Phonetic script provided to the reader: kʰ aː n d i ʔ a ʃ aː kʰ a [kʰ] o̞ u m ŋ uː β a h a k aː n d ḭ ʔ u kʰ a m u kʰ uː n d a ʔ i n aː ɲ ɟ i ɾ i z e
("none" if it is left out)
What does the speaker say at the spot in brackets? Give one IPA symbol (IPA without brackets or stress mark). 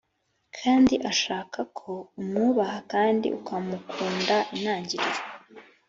kʰ